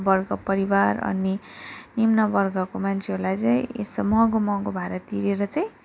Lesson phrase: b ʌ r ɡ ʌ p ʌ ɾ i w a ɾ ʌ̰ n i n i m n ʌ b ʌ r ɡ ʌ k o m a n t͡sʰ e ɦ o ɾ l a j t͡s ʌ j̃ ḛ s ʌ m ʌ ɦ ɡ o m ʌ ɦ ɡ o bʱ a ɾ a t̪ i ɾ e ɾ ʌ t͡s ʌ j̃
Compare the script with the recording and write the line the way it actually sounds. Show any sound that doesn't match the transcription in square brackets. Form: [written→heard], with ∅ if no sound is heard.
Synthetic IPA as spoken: b ʌ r ɡ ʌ p ʌ ɾ i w a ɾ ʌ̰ n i n i m n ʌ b ʌ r ɡ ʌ k o m a n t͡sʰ e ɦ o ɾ l a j t͡s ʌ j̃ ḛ s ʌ m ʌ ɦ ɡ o m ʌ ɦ ɡ o bʱ a ɾ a t̪ i ɾ e ɾ ʌ t͡s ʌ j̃